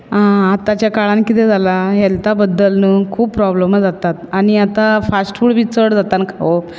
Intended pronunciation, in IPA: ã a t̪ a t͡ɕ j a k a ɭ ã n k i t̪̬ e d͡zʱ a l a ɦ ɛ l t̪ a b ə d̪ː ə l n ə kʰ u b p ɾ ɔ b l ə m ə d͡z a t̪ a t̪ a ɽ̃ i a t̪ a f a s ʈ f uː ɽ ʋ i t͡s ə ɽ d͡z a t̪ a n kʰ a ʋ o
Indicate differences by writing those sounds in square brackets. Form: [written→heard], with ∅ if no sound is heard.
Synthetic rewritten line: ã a t̪ a t͡ɕ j a k a ɭ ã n k i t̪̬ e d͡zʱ a l a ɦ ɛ l t̪ a b ə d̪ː ə l n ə kʰ [u→uː] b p ɾ ɔ b l ə m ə d͡z a t̪ a t̪ a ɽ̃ i a t̪ a f a s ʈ f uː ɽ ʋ i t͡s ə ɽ d͡z a t̪ a n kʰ a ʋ o